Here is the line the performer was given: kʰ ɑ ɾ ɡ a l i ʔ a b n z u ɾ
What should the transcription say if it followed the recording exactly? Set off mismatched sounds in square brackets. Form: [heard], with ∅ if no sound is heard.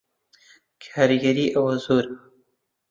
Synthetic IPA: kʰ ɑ ɾ ɡ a [ɾ] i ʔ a [w] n z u ɾ